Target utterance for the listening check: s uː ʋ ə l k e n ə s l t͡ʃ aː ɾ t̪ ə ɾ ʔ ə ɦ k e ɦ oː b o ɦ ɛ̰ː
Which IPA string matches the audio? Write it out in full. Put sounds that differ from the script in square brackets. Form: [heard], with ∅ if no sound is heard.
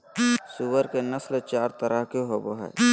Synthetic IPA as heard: s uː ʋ ə [ɾ] k e n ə s l t͡ʃ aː ɾ t̪ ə ɾ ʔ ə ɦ k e ɦ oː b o ɦ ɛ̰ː